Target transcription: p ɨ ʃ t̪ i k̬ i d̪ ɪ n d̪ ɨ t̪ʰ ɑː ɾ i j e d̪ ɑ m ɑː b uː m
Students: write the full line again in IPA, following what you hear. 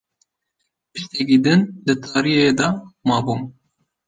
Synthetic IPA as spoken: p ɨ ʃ t̪ ɛ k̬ i d̪ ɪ n d̪ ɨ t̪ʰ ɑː ɾ i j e d̪ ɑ m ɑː b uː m